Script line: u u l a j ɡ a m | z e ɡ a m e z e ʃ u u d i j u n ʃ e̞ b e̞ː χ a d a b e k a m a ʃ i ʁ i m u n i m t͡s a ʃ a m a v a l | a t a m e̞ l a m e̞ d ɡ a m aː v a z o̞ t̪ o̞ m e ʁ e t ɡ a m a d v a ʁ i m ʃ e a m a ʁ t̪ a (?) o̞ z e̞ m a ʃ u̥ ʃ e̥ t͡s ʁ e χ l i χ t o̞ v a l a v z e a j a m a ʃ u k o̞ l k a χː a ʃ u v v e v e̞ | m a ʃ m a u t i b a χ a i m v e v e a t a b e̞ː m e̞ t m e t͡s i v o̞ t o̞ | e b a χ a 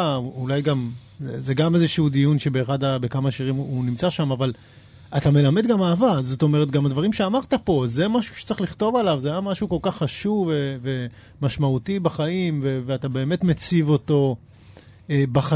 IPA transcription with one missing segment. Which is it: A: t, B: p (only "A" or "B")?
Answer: B